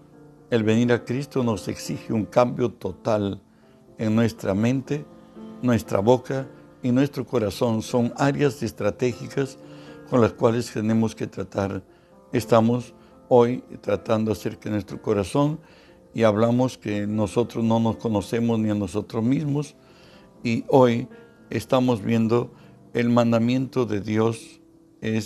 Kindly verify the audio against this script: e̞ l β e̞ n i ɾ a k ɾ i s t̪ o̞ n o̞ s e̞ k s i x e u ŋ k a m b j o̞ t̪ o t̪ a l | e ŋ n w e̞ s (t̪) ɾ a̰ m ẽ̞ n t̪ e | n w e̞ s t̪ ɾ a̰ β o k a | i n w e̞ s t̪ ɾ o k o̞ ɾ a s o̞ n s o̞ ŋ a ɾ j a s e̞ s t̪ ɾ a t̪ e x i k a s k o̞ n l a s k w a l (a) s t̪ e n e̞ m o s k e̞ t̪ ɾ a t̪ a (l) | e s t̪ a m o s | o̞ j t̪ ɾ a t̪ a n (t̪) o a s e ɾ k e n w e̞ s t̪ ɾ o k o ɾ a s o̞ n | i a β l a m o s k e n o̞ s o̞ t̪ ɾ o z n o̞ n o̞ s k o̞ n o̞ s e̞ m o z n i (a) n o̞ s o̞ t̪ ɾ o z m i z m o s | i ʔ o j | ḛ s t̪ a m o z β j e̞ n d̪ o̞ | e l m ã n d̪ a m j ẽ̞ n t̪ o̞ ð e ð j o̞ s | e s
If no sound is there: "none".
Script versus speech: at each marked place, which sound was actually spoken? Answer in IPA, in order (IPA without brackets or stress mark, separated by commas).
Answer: t̪, e, ɾ, d̪, a